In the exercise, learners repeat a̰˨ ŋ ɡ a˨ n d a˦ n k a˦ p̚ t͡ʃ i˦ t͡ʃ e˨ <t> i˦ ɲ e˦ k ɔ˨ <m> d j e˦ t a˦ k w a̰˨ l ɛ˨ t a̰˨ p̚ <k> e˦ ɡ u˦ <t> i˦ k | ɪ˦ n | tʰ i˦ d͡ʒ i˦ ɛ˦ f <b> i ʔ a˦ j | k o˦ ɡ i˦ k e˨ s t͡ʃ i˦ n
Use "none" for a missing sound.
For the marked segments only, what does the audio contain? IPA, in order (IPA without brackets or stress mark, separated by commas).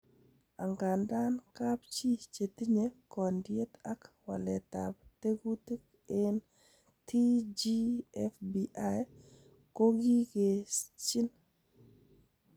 t, n, t, t, b